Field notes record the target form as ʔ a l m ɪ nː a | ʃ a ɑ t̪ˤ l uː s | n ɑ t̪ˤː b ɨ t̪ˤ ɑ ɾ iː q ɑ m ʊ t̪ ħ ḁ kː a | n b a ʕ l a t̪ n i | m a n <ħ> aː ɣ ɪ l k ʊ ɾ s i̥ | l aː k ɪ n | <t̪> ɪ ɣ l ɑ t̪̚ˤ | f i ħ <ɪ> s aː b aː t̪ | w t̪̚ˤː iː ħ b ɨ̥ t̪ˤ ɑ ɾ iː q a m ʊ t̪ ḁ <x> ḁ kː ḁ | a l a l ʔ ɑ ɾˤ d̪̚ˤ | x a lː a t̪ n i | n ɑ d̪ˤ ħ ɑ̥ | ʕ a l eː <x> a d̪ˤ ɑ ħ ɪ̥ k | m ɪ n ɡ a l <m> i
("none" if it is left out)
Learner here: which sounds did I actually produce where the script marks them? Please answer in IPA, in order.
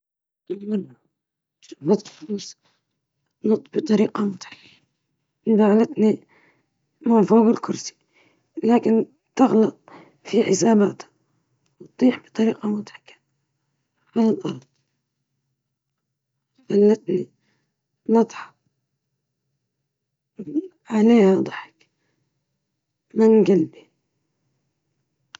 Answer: f, t̪, ɪ, ħ, h, b

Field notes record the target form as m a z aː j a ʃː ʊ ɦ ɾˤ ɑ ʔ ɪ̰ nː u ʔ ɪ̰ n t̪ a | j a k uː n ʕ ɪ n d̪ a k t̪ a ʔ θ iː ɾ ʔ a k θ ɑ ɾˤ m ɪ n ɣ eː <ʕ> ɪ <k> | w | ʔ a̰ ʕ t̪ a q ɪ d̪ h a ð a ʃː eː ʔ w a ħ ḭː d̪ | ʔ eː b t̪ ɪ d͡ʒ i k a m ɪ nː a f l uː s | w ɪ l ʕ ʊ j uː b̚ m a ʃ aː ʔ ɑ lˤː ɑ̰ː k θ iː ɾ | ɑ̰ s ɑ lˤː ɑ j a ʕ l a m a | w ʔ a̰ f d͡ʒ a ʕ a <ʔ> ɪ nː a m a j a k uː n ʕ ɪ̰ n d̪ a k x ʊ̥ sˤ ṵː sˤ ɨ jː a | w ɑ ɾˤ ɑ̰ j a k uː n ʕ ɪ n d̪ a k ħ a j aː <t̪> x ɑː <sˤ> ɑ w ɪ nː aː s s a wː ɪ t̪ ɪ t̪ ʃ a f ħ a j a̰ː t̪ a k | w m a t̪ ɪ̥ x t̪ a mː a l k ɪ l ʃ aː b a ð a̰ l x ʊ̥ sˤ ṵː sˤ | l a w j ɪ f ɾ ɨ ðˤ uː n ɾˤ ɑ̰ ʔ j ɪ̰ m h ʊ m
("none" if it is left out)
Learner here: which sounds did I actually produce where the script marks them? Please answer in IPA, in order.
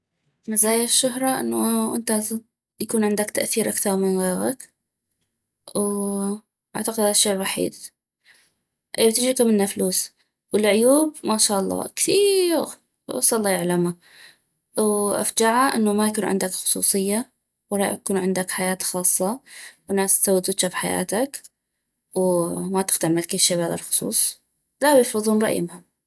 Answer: ɣ, k, ʔ, t̪, sˤː

